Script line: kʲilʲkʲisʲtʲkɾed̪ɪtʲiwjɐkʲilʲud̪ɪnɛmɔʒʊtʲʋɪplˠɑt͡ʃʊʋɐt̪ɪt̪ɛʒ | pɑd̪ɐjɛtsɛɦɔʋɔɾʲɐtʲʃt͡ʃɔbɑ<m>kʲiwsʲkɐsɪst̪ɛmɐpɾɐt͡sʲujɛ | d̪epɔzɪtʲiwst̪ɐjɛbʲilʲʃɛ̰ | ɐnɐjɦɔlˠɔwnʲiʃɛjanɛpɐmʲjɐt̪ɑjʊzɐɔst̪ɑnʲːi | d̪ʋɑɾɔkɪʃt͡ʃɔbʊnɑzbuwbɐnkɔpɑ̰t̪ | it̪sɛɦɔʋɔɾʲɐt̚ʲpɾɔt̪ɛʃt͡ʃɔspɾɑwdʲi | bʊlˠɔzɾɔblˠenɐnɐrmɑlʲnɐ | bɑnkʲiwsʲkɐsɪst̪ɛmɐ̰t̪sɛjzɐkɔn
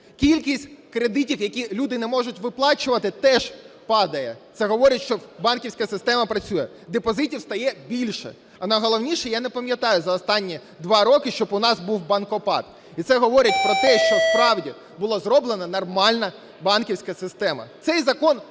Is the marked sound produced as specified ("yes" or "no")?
no